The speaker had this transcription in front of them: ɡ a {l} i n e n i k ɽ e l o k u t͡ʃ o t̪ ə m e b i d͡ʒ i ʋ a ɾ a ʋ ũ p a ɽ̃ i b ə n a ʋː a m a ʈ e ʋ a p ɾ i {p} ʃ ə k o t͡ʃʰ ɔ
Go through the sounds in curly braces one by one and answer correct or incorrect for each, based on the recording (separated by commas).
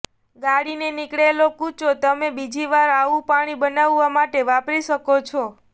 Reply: incorrect, incorrect